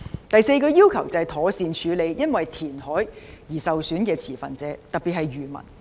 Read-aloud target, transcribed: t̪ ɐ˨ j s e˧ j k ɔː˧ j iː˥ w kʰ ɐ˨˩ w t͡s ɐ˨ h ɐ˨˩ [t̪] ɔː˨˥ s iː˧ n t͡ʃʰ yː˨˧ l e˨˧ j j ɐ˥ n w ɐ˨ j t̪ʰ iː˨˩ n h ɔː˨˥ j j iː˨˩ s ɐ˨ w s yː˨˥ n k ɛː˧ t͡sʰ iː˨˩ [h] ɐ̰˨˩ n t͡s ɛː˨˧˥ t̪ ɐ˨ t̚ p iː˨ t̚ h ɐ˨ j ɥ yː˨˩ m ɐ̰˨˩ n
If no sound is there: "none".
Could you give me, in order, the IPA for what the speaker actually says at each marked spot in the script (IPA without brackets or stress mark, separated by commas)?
t̪ʰ, f